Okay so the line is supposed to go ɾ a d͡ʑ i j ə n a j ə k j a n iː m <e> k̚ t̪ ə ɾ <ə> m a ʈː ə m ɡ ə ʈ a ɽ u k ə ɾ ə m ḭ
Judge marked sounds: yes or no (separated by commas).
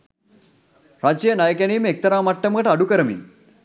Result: yes, no